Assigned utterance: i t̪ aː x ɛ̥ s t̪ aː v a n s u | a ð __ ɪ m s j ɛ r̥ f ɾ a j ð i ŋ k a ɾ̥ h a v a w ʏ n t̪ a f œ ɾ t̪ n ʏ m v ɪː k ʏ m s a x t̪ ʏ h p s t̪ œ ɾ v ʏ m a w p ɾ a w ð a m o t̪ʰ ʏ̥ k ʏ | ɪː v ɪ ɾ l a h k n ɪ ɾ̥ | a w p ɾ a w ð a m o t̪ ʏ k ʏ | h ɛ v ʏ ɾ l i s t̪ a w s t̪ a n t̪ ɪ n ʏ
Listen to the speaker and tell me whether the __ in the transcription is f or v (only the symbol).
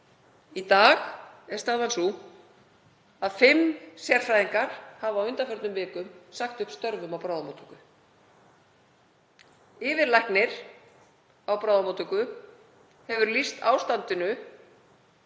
f